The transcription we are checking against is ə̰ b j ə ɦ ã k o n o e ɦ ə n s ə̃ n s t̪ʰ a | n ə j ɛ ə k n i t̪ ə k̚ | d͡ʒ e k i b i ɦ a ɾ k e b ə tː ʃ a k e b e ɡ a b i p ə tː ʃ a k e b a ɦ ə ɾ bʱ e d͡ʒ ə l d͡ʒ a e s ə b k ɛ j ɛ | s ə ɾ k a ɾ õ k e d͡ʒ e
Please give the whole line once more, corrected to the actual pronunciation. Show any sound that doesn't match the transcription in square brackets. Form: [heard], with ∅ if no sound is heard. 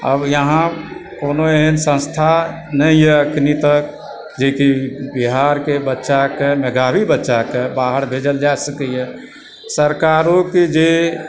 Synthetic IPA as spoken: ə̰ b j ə ɦ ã k o n o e ɦ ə n s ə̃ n s t̪ʰ a | n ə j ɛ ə k n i t̪ ə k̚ | d͡ʒ e k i b i ɦ a ɾ k e b ə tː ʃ a k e [m] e ɡ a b i [b] ə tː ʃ a k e b a ɦ ə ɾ bʱ e d͡ʒ ə l d͡ʒ a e s ə [∅] k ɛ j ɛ | s ə ɾ k a ɾ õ k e d͡ʒ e